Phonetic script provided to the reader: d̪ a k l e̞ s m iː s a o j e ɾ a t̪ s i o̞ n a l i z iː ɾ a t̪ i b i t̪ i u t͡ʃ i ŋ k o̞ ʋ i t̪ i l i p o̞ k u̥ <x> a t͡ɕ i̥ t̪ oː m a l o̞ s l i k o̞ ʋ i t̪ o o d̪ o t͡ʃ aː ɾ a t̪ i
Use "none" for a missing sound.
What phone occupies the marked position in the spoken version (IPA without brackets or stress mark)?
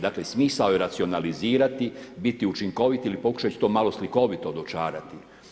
ʃ